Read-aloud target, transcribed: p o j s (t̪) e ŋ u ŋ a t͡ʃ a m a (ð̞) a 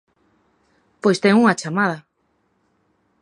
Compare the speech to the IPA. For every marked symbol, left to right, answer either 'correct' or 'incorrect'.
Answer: correct, correct

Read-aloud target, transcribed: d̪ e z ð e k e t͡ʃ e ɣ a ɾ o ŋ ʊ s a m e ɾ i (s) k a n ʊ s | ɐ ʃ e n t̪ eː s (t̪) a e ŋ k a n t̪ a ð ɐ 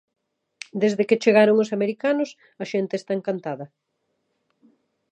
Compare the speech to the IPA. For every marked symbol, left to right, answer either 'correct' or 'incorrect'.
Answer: incorrect, correct

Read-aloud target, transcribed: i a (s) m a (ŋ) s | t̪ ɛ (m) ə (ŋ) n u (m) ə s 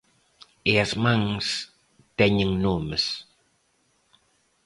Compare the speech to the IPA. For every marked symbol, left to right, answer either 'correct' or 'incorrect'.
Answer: correct, correct, incorrect, correct, correct

